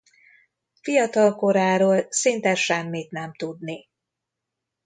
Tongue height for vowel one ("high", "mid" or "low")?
high